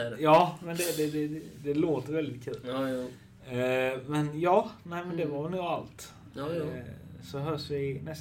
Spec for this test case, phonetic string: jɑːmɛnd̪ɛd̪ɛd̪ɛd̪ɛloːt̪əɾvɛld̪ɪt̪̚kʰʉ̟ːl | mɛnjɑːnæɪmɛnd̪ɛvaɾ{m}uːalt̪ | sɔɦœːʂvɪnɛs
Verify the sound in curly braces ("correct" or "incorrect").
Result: incorrect